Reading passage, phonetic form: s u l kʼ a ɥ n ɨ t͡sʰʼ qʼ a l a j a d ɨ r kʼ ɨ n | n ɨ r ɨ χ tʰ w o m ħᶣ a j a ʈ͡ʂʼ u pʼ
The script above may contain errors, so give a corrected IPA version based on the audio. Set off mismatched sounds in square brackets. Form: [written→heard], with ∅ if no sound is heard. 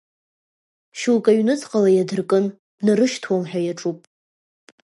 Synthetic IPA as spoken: [s→ʃ] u l kʼ a ɥ n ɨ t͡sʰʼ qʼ a l a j a d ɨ r kʼ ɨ n | n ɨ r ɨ [χ→ʃ] tʰ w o m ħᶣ a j a ʈ͡ʂʼ u pʼ